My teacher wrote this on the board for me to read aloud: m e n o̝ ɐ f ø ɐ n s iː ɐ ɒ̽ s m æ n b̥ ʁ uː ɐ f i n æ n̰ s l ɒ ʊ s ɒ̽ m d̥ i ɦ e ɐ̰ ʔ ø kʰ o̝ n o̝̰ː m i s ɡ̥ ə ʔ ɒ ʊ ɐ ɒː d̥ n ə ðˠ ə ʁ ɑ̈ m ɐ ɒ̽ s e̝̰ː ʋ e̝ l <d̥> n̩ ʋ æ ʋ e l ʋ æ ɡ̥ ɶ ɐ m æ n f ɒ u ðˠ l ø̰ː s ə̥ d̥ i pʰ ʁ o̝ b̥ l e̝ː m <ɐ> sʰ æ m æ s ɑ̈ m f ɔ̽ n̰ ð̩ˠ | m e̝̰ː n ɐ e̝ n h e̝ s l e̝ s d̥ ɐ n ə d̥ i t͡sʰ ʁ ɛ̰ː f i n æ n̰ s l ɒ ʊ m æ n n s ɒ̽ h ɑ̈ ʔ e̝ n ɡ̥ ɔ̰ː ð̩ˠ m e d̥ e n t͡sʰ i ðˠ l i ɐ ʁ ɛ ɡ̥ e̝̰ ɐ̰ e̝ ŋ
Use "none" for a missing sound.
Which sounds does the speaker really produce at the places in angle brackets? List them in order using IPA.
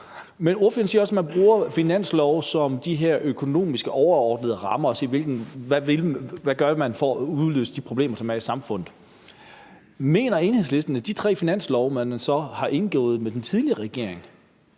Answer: ɡ̥, ɐ

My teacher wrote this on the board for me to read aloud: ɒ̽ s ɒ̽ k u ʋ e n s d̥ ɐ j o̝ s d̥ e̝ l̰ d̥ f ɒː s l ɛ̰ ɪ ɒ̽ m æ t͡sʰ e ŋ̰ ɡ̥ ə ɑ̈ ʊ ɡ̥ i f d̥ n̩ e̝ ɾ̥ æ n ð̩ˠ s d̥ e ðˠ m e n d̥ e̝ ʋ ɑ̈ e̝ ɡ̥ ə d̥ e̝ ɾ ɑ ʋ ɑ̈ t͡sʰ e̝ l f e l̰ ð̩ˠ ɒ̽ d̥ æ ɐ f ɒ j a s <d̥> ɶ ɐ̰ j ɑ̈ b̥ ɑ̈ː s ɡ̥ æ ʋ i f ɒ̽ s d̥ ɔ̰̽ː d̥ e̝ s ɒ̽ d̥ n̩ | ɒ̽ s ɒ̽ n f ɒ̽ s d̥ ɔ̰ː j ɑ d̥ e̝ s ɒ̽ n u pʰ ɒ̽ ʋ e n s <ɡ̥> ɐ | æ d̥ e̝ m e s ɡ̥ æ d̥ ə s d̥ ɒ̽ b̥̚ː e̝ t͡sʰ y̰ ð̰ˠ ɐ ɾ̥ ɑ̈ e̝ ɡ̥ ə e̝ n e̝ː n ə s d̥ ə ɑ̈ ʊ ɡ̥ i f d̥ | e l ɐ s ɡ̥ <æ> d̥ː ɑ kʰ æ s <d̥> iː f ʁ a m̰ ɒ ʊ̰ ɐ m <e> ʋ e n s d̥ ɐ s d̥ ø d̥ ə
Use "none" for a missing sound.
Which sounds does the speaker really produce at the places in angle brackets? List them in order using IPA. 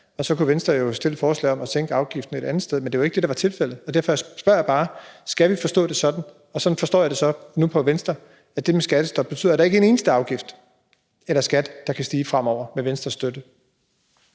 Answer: b̥, d̥, æ, d̥, e

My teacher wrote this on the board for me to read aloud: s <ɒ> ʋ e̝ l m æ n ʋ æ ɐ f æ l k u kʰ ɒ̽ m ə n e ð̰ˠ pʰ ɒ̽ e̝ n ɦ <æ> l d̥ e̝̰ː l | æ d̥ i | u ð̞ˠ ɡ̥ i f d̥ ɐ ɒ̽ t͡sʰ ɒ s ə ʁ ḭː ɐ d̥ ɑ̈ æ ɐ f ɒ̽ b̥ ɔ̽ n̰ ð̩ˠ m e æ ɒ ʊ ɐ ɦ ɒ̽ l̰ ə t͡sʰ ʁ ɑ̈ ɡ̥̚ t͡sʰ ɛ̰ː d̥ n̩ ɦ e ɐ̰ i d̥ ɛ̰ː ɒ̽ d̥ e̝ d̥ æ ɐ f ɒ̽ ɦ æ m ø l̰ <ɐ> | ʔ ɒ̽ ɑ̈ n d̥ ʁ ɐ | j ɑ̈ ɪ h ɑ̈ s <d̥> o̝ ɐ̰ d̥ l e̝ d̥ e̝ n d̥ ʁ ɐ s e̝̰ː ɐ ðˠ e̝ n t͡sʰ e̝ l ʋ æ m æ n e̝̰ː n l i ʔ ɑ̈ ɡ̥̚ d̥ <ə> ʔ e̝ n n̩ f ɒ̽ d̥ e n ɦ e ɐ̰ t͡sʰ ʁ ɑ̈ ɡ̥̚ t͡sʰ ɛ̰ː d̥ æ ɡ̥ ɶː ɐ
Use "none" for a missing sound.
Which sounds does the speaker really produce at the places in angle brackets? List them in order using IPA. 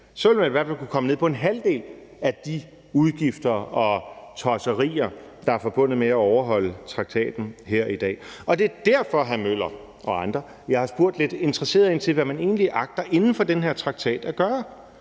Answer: ɒ, æ, ɐ, b̥, ɐ

